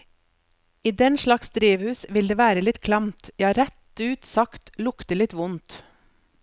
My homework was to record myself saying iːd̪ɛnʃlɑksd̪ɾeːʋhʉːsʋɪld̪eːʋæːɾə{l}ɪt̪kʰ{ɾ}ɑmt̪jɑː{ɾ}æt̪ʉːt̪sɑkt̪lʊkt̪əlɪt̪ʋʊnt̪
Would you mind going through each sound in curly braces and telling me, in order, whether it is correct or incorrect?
correct, incorrect: l, correct

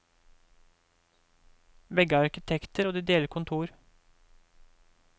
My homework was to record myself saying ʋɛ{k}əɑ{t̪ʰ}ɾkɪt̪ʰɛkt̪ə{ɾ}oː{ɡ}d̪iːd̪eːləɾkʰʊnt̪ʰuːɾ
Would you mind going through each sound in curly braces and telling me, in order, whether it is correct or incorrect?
incorrect: ɡ, incorrect: none, correct, incorrect: none

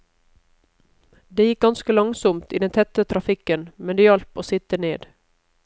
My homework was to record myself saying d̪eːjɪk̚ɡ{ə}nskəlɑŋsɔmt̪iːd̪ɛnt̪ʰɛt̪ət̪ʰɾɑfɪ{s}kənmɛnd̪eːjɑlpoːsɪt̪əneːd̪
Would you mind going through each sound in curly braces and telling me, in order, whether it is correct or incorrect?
incorrect: ɑ, incorrect: none

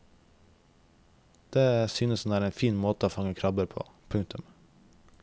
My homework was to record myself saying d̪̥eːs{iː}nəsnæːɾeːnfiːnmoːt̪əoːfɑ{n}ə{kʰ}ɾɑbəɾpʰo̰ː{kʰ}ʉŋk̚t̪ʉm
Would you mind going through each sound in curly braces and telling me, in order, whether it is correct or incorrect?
incorrect: yː, incorrect: ŋ, correct, incorrect: pʰ

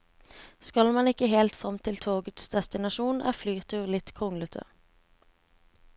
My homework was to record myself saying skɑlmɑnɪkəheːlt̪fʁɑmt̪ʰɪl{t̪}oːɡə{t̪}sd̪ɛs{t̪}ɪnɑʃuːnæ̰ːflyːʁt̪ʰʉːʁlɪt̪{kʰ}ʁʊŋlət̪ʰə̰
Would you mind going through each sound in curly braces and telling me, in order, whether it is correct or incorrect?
incorrect: t̪ʰ, correct, correct, correct

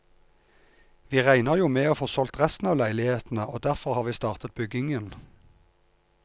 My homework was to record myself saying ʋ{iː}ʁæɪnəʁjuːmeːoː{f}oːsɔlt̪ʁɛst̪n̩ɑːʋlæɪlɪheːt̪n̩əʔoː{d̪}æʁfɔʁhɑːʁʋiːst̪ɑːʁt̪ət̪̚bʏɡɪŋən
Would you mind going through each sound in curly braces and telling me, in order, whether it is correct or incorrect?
correct, correct, correct

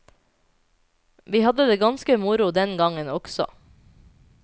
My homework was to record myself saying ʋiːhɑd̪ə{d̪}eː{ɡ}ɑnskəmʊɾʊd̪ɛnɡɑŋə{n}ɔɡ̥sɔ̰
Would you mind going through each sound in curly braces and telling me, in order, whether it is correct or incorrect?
correct, correct, correct

